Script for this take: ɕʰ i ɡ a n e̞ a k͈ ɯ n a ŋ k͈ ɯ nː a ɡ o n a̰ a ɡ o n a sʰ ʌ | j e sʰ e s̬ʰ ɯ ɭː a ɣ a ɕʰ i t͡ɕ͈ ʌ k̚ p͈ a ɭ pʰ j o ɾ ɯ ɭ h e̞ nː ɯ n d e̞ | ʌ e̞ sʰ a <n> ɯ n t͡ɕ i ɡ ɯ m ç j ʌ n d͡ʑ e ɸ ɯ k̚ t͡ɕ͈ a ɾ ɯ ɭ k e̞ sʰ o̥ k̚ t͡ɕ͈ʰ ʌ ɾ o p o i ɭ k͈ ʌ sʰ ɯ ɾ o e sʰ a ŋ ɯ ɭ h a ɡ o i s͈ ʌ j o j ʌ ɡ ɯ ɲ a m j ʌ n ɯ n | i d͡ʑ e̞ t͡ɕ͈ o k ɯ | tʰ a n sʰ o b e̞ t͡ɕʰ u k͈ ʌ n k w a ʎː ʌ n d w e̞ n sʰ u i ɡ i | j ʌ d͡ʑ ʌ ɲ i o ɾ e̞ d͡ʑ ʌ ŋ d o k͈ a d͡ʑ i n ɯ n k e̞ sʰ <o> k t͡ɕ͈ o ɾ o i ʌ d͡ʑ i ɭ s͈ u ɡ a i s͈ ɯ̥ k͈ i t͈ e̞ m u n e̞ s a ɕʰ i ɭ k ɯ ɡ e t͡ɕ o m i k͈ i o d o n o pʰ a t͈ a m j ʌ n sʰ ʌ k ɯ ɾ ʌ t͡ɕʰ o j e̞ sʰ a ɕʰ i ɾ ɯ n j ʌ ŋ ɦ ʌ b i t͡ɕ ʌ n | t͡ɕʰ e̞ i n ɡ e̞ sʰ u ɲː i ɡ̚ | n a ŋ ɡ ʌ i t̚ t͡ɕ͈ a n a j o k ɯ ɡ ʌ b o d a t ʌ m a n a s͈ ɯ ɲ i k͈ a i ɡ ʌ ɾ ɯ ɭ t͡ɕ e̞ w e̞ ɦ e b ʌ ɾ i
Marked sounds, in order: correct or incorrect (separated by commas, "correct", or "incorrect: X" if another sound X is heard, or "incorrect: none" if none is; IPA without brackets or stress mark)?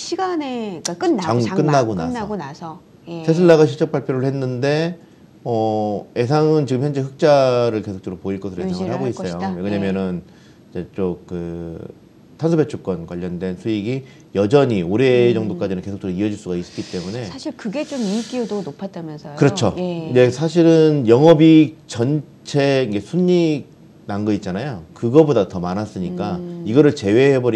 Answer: incorrect: ŋ, correct